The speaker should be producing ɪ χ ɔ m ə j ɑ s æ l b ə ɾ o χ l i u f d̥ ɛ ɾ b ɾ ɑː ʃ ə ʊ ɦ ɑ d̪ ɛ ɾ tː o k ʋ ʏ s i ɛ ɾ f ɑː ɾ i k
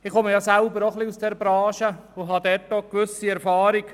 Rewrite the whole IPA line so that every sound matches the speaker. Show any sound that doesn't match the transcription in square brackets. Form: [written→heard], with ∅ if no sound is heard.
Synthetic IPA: ɪ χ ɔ m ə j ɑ s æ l b ə ɾ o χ l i u [f→s] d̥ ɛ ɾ b ɾ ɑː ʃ ə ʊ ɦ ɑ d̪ ɛ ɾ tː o k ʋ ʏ s i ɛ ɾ f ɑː ɾ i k